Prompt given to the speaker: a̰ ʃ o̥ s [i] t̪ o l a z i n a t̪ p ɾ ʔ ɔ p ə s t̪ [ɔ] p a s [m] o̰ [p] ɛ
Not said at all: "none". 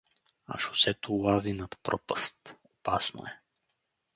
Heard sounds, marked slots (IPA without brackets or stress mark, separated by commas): ɛ, o, n, none